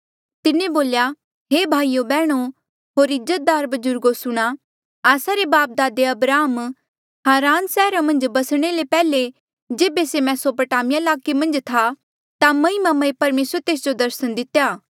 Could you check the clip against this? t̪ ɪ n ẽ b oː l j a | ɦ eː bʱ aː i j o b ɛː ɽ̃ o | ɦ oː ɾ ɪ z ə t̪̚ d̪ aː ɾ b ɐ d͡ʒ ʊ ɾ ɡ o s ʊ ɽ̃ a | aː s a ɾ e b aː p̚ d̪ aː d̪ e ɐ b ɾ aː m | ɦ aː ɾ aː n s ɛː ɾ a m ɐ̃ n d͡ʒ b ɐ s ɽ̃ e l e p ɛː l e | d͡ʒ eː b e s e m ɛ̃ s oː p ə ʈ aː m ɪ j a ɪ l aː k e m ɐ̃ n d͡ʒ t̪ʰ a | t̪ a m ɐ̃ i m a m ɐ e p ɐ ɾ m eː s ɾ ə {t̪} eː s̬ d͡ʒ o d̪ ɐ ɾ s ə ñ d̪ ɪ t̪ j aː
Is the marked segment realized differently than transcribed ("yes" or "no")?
no